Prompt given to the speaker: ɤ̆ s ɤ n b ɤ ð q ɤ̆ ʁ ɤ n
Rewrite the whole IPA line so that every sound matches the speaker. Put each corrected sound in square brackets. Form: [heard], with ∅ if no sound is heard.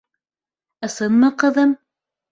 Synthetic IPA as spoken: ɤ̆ s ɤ n [m] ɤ [∅] q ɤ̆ [ð] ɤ [m]

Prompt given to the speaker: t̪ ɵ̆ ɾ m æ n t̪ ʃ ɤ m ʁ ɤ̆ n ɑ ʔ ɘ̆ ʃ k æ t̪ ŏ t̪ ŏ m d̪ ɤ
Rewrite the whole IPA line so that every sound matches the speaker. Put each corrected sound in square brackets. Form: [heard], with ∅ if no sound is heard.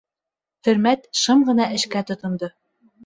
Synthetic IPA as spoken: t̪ ɵ̆ ɾ m æ [∅] t̪ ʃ ɤ m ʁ ɤ̆ n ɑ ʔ ɘ̆ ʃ k æ t̪ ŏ t̪ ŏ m d̪ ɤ

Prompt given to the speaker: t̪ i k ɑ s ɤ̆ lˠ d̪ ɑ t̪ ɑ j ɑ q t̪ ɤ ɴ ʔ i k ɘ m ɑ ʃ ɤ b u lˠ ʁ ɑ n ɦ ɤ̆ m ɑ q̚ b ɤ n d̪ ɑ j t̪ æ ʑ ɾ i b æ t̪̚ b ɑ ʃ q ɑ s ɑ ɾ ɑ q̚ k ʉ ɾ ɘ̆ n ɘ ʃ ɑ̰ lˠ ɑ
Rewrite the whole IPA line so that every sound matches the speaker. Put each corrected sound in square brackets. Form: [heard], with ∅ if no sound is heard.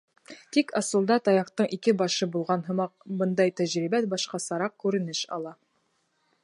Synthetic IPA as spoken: t̪ i k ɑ s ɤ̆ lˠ d̪ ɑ t̪ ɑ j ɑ q t̪ ɤ ɴ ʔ i k ɘ [b] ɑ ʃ ɤ b u lˠ ʁ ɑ n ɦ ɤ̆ m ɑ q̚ b ɤ n d̪ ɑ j t̪ æ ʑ ɾ i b æ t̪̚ b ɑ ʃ q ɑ s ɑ ɾ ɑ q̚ k ʉ ɾ ɘ̆ n ɘ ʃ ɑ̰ lˠ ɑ

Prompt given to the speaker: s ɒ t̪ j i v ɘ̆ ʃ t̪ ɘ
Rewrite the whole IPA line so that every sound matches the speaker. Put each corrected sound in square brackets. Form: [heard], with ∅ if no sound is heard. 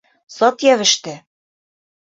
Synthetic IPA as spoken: s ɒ t̪ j [æ] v ɘ̆ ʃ t̪ ɘ

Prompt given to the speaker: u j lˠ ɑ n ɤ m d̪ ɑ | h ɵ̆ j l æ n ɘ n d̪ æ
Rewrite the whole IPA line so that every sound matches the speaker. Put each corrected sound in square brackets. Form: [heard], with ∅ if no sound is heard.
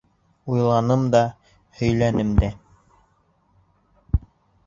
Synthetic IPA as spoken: u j lˠ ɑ n ɤ m d̪ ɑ | h ɵ̆ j l æ n ɘ [m] d̪ æ

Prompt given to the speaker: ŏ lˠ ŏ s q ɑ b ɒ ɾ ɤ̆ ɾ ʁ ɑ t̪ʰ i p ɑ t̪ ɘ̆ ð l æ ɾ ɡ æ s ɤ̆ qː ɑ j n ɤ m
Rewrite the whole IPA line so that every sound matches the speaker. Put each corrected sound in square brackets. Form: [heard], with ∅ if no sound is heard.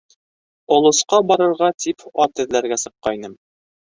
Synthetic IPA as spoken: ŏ lˠ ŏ s q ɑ b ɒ ɾ ɤ̆ ɾ ʁ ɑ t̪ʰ i p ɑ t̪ ɘ̆ ð l æ ɾ ɡ æ s ɤ̆ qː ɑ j n ɤ m

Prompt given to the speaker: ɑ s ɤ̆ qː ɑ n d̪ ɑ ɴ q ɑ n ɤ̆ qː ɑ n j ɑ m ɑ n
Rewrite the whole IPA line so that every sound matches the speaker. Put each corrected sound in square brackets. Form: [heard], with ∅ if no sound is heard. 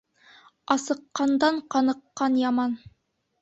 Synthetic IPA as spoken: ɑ s ɤ̆ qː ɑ n d̪ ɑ ɴ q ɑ n ɤ̆ qː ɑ n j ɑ m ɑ n

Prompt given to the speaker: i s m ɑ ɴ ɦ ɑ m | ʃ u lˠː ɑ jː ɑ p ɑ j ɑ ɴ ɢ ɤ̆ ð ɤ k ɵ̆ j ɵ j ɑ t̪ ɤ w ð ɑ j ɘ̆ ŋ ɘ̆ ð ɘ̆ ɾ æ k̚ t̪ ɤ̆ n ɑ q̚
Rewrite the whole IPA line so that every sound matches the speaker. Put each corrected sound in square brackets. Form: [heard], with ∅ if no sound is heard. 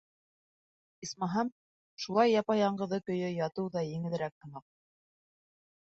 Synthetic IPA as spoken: i s m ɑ [∅] ɦ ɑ m | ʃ u [lˠ] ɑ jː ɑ p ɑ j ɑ ɴ ɢ ɤ̆ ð ɤ k ɵ̆ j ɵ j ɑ t̪ ɤ w ð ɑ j ɘ̆ ŋ ɘ̆ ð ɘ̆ ɾ æ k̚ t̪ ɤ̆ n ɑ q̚

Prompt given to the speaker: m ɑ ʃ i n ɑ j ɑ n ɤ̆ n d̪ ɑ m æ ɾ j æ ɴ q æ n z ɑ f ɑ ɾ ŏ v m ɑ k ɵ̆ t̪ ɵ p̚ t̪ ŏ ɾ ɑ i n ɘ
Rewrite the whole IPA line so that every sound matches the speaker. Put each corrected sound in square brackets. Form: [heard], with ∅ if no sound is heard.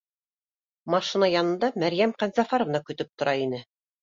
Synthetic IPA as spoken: m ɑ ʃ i n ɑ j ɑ n ɤ̆ n d̪ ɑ m æ ɾ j æ [m] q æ n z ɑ f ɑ ɾ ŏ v [n] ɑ k ɵ̆ t̪ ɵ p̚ t̪ ŏ ɾ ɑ i n ɘ

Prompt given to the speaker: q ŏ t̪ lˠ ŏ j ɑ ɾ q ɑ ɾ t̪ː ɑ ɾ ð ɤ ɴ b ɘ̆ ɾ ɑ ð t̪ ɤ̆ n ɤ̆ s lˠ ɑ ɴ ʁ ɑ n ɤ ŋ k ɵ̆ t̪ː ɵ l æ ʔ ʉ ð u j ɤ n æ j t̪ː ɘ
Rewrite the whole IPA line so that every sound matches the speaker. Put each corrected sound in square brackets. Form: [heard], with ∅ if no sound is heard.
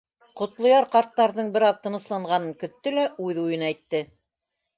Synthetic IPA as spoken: q ŏ t̪ lˠ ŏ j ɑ ɾ q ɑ ɾ t̪ː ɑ ɾ ð ɤ ɴ b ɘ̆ ɾ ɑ ð t̪ ɤ̆ n ɤ̆ s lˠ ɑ ɴ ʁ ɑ n ɤ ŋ k ɵ̆ t̪ː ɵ l æ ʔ ʉ ð u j ɤ n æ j t̪ː ɘ

